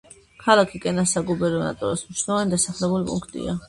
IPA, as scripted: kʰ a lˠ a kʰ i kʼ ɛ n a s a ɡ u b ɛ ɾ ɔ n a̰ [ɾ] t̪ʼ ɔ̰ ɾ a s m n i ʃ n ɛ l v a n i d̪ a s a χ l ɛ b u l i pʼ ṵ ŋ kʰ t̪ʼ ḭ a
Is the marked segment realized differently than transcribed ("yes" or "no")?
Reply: yes